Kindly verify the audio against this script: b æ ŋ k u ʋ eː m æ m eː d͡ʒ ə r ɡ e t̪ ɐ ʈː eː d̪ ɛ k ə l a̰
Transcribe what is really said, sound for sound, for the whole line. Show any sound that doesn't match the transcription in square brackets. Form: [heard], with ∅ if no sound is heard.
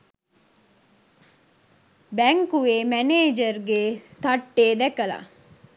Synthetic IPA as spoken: b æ ŋ k u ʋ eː m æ [n] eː d͡ʒ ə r ɡ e t̪ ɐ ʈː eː d̪ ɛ k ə l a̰